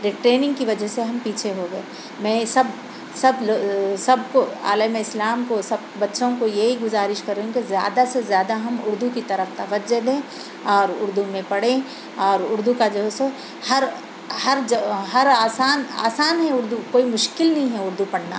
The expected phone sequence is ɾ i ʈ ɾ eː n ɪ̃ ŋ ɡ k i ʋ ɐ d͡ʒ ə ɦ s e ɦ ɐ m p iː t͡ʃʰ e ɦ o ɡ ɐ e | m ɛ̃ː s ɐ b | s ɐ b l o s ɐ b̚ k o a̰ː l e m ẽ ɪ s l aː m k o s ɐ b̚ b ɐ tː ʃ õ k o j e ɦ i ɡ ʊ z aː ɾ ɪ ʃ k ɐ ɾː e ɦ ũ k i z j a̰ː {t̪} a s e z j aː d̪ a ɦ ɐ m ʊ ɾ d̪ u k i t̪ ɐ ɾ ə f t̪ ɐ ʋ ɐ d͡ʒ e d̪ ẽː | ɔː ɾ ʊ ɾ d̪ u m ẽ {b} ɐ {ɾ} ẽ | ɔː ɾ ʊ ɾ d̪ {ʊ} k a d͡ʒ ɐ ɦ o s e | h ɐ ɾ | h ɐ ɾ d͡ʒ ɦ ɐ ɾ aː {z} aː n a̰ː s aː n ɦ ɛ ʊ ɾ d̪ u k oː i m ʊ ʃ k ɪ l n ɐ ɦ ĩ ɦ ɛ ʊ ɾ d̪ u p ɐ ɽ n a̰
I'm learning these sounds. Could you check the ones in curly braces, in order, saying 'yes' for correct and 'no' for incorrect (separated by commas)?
no, no, no, no, no